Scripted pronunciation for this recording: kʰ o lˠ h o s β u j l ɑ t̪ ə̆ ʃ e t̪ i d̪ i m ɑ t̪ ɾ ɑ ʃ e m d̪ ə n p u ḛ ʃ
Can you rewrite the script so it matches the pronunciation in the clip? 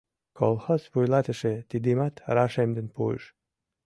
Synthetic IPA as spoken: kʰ o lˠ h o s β u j l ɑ t̪ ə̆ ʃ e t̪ i d̪ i m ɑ t̪ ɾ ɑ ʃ e m d̪ ə n p u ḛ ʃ